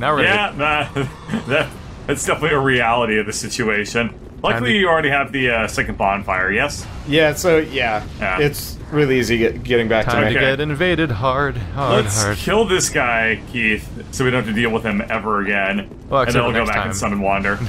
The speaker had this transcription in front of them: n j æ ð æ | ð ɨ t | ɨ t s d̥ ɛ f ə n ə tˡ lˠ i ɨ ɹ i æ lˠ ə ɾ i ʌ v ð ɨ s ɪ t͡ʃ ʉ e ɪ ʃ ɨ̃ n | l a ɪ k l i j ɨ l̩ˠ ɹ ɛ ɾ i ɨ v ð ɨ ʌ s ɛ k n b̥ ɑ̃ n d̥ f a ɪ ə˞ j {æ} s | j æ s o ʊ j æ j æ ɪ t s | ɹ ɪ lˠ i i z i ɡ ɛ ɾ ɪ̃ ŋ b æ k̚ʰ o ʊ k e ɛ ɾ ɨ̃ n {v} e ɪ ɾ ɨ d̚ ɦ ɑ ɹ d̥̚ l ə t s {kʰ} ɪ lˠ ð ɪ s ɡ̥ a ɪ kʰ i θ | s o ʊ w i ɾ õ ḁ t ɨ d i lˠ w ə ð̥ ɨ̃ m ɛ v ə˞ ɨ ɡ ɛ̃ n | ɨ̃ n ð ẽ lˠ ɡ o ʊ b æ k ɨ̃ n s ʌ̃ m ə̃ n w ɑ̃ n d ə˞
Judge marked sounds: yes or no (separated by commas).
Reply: no, yes, yes